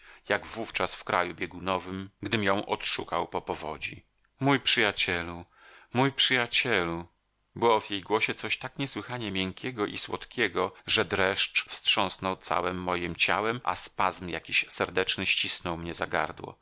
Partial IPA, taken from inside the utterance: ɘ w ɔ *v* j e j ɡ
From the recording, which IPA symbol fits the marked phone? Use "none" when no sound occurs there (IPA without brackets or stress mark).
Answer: v